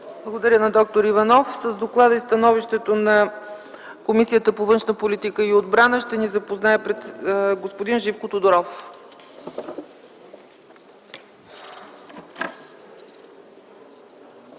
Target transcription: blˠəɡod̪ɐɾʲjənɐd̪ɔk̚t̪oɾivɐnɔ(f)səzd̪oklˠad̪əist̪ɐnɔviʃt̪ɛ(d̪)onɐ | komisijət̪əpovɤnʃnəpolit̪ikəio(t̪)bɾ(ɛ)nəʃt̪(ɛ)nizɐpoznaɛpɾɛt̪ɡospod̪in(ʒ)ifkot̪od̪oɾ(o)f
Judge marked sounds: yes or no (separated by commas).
yes, no, no, no, yes, yes, no